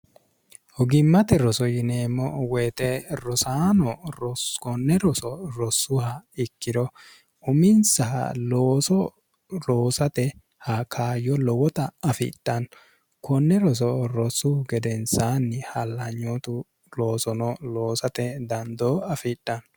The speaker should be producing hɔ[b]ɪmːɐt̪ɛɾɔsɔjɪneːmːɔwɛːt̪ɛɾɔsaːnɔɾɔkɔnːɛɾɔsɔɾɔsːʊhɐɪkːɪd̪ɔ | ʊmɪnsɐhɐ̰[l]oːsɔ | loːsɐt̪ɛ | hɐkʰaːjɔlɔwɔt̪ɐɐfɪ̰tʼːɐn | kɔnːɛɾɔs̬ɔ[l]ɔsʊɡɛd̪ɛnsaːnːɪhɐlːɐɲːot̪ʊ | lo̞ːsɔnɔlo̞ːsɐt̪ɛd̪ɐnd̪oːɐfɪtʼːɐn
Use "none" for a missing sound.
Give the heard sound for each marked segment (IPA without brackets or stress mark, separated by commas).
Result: ɡ, l, ɾ